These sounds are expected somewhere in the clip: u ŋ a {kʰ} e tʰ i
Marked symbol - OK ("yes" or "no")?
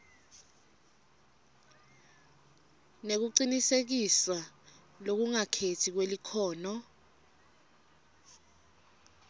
yes